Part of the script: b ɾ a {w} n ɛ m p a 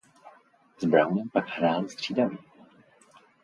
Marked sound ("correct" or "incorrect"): correct